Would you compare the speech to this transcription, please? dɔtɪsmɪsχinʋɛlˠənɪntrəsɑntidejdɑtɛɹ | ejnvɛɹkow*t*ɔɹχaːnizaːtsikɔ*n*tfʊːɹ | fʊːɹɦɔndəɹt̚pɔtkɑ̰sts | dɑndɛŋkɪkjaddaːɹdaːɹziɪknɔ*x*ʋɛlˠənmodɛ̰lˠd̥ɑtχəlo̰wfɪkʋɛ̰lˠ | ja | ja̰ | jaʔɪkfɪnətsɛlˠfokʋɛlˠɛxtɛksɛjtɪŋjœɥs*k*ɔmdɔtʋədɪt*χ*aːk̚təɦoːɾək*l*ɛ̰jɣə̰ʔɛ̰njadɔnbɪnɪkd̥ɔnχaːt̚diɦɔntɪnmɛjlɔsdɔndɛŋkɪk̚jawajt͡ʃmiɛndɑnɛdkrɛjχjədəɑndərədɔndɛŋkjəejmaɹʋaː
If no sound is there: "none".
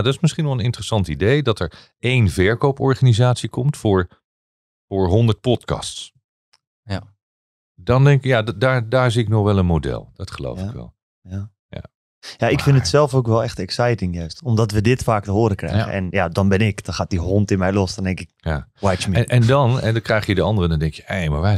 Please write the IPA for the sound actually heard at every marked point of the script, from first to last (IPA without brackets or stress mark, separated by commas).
p, m, χ, t, f, r